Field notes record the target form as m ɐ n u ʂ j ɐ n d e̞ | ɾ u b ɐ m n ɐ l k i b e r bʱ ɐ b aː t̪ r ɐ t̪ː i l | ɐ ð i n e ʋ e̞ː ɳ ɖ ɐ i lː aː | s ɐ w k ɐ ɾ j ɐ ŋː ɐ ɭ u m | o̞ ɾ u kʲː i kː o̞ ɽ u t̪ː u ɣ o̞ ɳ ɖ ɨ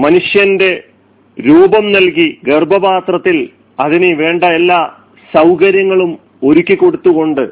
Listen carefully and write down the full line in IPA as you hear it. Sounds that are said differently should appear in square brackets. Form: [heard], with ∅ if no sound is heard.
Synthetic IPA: m ɐ n u ʂ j ɐ n d e̞ | ɾ [uː] b ɐ m n ɐ l k i [ɡ] e r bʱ ɐ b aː t̪ r ɐ t̪ː i l | ɐ ð i n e ʋ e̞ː ɳ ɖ ɐ [e] lː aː | s ɐ w k ɐ ɾ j ɐ ŋː ɐ ɭ u m | o̞ ɾ u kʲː i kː o̞ ɽ u t̪ː u ɣ o̞ ɳ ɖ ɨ